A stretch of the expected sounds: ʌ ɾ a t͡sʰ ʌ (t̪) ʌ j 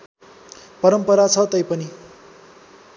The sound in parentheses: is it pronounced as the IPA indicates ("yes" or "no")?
yes